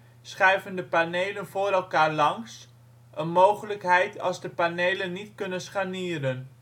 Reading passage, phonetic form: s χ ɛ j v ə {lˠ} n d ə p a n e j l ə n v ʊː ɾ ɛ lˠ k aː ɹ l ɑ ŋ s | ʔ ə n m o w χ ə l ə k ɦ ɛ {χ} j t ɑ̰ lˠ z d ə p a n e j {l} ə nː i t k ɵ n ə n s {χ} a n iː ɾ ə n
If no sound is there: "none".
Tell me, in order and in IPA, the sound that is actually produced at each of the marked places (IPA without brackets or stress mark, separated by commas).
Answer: none, none, l, χ